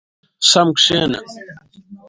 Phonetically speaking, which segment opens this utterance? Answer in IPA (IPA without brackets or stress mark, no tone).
s